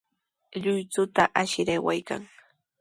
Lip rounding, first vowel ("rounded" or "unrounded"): rounded